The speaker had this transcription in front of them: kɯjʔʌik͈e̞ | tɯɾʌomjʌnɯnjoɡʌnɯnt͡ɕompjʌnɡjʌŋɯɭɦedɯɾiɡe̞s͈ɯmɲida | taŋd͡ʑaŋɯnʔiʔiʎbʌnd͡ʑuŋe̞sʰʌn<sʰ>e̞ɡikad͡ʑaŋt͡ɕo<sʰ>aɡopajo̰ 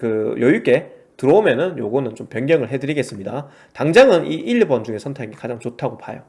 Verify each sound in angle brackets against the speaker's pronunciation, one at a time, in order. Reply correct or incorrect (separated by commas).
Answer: incorrect, incorrect